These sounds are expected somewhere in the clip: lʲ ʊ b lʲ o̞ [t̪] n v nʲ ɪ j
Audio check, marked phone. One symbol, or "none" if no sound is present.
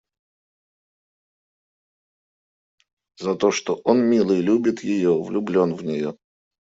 none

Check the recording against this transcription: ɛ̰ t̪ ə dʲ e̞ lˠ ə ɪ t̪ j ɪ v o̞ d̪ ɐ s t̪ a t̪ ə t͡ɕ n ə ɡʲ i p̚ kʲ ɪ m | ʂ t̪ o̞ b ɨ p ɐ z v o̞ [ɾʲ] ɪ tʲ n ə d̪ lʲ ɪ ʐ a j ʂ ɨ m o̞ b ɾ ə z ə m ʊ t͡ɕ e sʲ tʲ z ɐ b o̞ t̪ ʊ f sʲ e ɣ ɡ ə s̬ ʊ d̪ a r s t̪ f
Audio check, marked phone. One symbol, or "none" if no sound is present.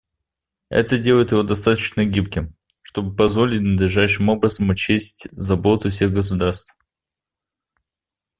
lʲ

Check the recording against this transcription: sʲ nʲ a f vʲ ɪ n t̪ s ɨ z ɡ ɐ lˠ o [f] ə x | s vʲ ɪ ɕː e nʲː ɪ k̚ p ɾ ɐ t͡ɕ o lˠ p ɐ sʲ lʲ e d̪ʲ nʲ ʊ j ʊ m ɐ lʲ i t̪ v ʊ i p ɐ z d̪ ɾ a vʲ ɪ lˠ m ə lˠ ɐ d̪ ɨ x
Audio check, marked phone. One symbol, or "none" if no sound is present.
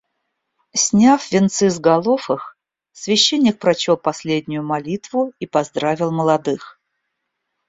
f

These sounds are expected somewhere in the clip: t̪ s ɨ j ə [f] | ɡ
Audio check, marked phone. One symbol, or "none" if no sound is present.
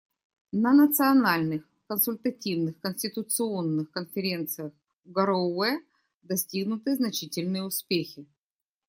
x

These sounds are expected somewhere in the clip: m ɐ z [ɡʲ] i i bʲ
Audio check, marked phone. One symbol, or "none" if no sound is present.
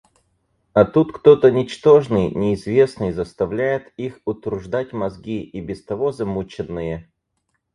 ɡʲ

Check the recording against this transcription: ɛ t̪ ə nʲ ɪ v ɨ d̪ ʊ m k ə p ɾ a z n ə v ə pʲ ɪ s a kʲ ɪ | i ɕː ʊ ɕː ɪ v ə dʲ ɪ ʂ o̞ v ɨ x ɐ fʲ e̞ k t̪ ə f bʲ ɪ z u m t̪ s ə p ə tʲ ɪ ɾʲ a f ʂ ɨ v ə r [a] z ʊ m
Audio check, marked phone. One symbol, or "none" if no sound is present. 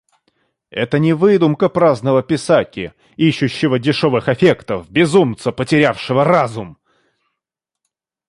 a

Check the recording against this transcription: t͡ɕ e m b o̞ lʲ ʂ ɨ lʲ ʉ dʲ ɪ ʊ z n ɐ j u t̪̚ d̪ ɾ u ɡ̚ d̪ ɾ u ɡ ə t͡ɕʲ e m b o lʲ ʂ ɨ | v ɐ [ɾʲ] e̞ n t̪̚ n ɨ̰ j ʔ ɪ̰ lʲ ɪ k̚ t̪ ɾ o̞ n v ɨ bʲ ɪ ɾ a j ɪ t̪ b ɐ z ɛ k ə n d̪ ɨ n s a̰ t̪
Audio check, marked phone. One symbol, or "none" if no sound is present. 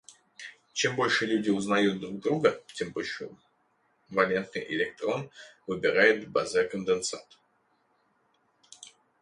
lʲ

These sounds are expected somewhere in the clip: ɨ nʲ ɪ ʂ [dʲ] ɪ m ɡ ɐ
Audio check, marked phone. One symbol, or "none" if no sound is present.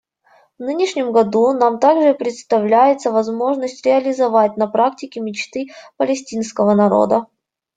nʲ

